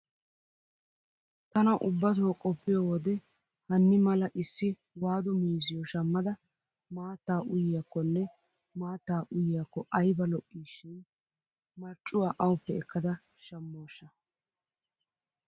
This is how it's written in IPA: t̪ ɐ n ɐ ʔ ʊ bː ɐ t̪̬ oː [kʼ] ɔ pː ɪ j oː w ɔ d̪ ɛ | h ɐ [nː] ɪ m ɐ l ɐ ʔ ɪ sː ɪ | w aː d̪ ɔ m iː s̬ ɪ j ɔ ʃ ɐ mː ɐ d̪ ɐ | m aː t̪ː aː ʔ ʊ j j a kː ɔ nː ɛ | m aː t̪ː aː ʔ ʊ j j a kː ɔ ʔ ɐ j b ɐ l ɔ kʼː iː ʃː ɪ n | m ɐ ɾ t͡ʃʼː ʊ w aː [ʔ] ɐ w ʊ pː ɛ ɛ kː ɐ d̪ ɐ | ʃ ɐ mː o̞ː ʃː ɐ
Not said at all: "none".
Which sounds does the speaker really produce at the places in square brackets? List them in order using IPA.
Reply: kʼ, nː, ʔ

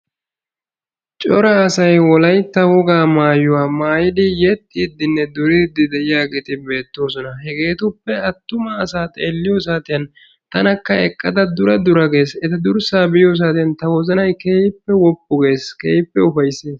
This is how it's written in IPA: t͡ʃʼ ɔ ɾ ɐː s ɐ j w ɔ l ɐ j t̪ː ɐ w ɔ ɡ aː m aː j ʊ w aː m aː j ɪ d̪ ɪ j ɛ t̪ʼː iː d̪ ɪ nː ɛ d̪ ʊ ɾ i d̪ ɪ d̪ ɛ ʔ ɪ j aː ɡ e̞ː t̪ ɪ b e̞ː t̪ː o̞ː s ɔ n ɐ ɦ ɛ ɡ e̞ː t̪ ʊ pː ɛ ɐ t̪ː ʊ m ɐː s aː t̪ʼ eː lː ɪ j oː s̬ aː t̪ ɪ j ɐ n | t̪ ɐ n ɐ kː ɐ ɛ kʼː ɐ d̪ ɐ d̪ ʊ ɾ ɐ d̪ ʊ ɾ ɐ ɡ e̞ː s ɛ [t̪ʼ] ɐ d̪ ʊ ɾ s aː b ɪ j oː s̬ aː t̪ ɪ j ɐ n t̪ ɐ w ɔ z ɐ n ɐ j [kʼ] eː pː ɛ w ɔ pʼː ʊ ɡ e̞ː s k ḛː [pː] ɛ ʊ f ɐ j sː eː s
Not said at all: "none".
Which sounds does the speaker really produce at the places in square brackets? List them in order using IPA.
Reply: t̪, k, pː

